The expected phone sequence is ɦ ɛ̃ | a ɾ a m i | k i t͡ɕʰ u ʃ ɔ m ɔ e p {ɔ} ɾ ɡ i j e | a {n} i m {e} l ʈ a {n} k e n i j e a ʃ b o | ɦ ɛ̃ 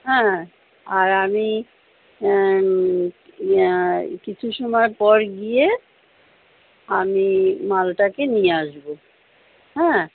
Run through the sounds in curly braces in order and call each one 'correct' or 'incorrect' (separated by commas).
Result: correct, incorrect, incorrect, incorrect